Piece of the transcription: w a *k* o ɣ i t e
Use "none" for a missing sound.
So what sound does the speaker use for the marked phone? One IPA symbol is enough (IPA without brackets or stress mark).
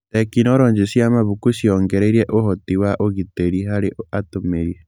ʔ